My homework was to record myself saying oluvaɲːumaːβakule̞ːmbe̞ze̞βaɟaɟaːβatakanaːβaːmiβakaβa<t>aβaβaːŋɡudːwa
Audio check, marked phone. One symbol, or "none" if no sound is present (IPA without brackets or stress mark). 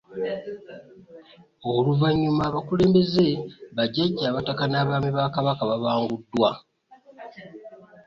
k